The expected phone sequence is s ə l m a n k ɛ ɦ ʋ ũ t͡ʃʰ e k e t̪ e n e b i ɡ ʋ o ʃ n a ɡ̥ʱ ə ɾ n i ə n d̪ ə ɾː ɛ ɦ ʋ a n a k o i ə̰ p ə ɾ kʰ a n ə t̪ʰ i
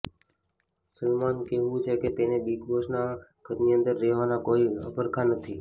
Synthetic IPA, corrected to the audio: s ə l m a n k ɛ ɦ ʋ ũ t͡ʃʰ e k e t̪ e n e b i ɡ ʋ o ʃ n a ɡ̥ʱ ə ɾ n i ə n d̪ ə ɾː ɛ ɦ ʋ a n a k o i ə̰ p ə ɾ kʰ a n ə t̪ʰ i